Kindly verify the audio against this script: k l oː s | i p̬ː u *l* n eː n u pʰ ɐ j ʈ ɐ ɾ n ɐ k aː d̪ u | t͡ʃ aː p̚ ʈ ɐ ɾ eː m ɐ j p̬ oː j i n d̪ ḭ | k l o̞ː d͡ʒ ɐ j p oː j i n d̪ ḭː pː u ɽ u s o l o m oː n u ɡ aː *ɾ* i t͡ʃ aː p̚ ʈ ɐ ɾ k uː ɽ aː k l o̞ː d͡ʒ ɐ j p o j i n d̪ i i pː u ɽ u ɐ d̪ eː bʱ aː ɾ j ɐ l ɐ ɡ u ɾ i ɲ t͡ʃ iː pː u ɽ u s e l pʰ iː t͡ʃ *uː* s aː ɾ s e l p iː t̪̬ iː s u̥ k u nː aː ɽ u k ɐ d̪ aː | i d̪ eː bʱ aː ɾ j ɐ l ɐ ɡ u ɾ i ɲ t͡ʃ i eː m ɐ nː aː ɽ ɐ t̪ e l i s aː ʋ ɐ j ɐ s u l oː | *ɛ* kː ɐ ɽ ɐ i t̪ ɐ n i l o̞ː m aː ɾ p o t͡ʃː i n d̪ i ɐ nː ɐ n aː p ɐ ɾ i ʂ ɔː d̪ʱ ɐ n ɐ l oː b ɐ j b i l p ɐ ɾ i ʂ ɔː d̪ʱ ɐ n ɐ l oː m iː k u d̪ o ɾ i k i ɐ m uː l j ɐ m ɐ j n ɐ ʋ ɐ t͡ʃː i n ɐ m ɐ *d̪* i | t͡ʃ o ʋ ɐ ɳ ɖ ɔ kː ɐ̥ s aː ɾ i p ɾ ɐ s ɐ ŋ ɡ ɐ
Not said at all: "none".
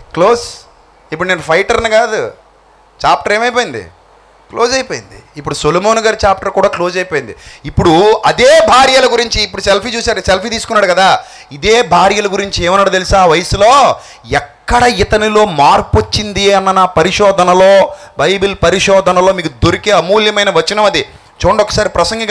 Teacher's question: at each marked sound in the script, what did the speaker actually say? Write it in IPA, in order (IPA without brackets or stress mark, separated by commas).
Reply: ɽ, ɾ, uː, ɛ, d̪